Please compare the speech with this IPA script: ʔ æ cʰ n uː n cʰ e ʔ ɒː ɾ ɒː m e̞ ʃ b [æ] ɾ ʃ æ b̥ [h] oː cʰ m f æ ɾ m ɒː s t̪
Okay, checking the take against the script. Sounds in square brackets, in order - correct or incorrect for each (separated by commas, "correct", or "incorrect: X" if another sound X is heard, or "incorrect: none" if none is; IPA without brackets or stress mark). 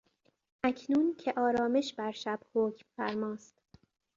correct, correct